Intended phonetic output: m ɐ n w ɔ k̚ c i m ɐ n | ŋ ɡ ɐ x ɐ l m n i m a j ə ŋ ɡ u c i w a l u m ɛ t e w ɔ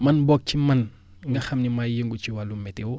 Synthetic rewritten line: m ɐ n b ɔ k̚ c i m ɐ n | ŋ ɡ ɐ x ɐ m n i m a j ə ŋ ɡ u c i w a l u m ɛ t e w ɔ